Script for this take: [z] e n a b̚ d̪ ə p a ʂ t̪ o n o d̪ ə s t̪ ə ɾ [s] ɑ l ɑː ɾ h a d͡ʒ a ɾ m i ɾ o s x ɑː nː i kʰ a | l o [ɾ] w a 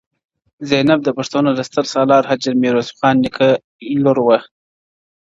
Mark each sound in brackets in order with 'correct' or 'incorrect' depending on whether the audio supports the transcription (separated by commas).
correct, correct, correct